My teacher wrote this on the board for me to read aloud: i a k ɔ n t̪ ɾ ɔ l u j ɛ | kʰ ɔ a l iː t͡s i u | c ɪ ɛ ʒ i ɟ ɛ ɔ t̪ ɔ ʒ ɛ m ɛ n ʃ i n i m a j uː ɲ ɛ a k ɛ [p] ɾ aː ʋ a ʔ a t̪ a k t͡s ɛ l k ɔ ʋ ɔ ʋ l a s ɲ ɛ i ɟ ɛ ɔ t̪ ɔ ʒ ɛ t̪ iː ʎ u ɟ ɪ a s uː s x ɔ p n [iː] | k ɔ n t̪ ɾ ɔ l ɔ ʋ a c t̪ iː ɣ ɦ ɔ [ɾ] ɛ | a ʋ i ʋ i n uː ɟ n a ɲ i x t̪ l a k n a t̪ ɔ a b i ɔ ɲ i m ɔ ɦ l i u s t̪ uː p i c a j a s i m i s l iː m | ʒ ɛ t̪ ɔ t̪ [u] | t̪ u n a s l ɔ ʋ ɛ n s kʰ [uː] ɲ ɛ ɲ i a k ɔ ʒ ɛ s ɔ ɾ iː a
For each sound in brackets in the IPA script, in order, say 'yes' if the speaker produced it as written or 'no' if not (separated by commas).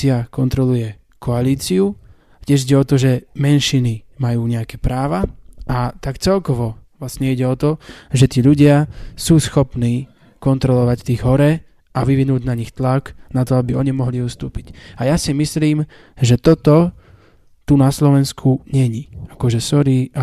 yes, yes, yes, no, no